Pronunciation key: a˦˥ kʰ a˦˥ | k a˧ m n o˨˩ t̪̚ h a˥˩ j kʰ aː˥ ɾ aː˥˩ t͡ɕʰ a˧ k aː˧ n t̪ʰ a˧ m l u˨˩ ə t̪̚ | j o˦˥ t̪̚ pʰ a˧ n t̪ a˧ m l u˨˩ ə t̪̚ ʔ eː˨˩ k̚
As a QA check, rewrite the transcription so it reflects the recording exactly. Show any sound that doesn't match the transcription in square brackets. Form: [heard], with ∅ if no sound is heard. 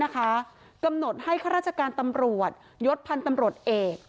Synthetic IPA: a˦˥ kʰ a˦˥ | k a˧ m n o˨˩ t̪̚ h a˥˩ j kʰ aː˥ ɾ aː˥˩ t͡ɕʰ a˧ k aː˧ n [t̪] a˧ m [ɾ] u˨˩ ə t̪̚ | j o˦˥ t̪̚ pʰ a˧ n t̪ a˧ m [ɾ] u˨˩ ə t̪̚ ʔ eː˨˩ k̚